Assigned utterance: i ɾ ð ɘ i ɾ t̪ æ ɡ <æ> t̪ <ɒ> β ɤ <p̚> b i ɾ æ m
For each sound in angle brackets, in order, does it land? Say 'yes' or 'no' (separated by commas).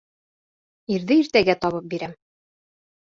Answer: yes, yes, yes